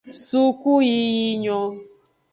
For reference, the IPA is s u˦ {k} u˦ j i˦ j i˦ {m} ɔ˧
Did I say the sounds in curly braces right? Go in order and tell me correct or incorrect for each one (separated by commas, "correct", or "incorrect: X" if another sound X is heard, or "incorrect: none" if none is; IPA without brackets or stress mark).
correct, incorrect: ɲ